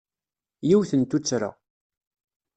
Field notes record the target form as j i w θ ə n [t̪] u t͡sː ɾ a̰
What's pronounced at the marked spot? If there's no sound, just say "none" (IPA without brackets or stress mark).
t̪